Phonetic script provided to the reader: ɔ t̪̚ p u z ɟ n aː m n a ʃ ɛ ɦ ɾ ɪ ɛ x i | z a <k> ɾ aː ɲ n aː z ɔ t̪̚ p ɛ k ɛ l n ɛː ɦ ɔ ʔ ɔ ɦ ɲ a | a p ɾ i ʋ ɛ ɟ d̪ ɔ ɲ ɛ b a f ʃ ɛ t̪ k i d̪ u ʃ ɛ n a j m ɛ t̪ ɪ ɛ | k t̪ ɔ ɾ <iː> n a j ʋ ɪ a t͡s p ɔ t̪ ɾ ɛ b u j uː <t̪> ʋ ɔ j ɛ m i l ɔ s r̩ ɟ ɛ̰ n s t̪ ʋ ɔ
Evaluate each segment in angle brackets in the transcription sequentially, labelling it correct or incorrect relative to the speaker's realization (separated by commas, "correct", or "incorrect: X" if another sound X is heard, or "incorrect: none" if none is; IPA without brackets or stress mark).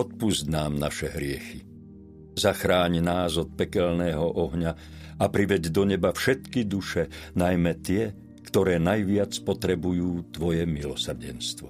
incorrect: x, incorrect: ɛː, correct